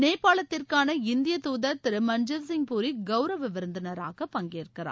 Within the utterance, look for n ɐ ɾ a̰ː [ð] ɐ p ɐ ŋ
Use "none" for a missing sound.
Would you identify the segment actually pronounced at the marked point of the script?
ɣ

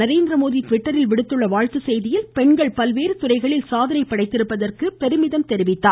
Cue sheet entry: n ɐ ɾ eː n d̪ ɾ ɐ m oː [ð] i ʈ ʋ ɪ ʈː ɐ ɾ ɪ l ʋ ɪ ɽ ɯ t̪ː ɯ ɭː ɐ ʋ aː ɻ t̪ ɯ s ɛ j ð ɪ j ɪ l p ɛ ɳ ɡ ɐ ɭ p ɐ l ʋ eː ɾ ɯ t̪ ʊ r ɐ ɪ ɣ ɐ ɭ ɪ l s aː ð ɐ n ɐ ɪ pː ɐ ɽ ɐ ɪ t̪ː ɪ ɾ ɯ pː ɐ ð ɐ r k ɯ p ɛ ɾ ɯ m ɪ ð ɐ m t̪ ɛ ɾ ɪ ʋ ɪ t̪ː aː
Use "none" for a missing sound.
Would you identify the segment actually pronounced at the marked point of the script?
ð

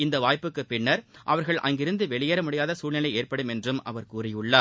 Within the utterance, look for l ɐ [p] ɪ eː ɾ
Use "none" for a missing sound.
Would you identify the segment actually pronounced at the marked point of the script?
none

